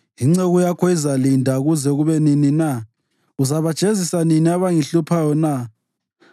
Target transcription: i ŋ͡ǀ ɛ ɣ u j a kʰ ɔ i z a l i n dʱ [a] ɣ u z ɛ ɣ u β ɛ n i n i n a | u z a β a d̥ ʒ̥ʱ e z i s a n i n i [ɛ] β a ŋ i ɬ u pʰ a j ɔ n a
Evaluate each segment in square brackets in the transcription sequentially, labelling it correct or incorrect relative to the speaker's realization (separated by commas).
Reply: correct, incorrect